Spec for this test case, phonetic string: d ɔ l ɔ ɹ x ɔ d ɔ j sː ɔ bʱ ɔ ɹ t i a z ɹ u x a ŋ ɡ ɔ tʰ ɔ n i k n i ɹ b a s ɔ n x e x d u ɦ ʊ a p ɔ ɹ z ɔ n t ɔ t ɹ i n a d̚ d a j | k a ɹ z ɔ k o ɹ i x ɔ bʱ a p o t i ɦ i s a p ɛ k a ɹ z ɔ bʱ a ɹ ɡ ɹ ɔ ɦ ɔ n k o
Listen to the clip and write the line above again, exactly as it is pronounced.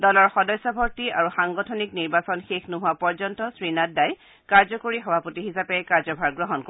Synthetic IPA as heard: d ɔ l ɔ ɹ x ɔ d ɔ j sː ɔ bʱ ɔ ɹ t i a ɹ u x a ŋ ɡ ɔ tʰ ɔ n i k n i ɹ b a s ɔ n x e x n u ɦ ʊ a p ɔ ɹ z ɔ n t ɔ s ɹ i n a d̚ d a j | k a ɹ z ɔ k o ɹ i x ɔ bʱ a p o t i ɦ i s a p ɛ k a ɹ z ɔ bʱ a ɹ ɡ ɹ ɔ ɦ ɔ n k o